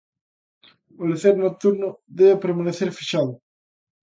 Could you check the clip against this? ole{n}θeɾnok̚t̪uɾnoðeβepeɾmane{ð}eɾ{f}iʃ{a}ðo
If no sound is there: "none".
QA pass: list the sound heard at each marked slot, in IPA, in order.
none, θ, f, a

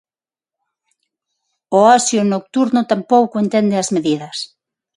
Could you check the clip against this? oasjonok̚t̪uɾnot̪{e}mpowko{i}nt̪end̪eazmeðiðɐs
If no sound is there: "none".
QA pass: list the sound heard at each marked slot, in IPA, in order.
a, e

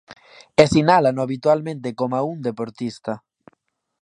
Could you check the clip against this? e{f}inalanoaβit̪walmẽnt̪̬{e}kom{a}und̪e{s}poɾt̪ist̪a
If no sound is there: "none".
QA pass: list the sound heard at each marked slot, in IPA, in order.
s, e, a, none

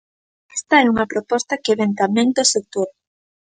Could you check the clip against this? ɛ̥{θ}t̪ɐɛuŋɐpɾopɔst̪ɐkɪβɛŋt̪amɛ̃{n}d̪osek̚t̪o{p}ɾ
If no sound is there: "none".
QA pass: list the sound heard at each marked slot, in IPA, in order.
s, ŋ, none

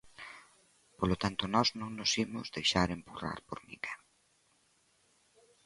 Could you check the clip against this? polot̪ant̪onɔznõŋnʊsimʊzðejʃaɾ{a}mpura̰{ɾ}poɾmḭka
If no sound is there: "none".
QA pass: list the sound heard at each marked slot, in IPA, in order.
e, ɾ

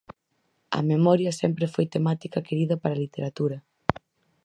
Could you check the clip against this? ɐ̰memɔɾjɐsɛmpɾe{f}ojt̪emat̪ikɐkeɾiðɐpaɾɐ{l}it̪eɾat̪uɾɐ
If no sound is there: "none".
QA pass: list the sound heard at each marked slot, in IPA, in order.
f, l

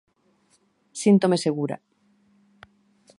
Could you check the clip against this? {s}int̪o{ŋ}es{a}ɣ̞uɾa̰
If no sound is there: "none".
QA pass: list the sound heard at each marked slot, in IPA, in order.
s, m, e

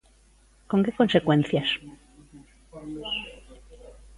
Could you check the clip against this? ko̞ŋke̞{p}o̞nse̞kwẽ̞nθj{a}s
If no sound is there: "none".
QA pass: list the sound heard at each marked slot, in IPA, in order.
k, a

